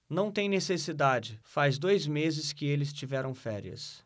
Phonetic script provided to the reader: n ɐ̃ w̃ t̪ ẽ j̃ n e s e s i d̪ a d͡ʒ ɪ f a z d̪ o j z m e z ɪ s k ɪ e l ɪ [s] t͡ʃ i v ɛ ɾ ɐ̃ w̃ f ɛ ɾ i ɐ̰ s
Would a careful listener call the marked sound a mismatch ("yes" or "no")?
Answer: no